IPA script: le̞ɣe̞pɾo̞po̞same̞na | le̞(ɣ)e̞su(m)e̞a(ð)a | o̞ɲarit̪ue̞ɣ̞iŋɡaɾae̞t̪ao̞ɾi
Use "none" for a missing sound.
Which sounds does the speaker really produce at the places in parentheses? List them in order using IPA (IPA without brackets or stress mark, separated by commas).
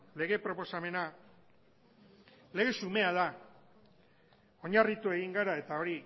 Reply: ɣ, m, ð